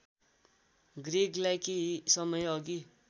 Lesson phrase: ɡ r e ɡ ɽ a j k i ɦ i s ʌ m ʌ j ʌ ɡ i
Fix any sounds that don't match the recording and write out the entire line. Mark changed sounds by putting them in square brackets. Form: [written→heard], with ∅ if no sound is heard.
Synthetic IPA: ɡ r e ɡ [ɽ→l] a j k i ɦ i s ʌ m ʌ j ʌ ɡ i